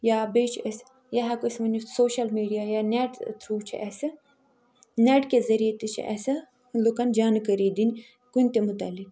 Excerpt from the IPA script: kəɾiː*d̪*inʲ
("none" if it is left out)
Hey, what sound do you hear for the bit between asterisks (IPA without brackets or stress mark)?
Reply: d̪